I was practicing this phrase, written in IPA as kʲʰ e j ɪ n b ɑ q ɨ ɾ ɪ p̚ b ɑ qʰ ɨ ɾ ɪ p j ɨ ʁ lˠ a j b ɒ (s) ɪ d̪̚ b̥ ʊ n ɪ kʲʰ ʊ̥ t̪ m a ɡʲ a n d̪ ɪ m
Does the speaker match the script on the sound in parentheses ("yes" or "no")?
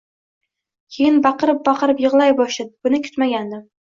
no